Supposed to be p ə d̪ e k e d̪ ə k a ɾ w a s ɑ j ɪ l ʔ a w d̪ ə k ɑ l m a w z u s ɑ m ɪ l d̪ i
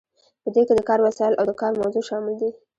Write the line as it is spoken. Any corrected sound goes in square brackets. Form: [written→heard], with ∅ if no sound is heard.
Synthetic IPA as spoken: p ə d̪ e k e d̪ ə k [a→ɑ] ɾ w a s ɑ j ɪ l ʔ a w d̪ ə k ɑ [l→ɾ] m a w z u [s→ʃ] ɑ m ɪ l d̪ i